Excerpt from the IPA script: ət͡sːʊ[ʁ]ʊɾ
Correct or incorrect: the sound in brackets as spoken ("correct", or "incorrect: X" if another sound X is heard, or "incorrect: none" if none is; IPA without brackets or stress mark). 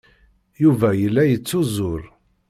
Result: incorrect: z